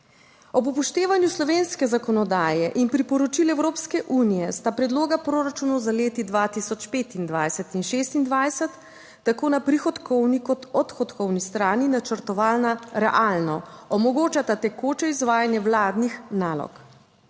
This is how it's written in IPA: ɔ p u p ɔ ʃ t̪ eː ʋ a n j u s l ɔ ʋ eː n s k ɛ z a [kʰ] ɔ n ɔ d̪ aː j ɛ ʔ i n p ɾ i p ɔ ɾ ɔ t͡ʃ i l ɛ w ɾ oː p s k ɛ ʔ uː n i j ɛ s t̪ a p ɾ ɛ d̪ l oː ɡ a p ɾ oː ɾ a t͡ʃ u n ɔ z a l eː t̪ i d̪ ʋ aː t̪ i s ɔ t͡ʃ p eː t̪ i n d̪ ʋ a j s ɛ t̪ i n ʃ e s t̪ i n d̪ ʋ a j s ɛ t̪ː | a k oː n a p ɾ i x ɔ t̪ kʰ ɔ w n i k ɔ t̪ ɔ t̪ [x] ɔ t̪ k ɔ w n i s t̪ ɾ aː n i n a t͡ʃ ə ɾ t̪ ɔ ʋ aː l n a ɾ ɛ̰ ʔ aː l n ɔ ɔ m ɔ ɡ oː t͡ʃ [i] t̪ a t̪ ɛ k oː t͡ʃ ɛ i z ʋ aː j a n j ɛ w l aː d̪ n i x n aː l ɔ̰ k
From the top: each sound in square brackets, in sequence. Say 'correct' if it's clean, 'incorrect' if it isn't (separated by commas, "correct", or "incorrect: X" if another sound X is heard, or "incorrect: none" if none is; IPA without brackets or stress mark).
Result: incorrect: k, correct, incorrect: a